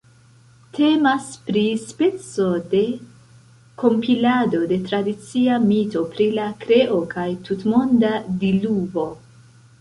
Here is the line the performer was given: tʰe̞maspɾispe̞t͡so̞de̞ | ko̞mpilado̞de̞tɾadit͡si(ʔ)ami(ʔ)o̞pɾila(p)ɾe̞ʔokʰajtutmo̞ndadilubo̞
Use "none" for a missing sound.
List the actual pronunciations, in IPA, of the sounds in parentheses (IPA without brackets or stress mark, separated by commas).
none, t, k